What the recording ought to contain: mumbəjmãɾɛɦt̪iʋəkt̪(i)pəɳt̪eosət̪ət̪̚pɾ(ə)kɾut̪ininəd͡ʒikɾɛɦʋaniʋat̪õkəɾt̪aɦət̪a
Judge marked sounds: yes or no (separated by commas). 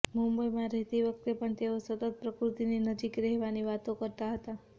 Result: no, yes